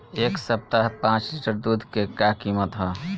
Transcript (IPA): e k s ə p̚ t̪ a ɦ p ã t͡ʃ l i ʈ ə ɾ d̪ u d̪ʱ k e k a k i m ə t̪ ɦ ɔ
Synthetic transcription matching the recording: e k s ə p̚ t̪ a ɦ p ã t͡ʃ l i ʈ ə ɾ d̪ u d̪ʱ k e k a k i m ə t̪ ɦ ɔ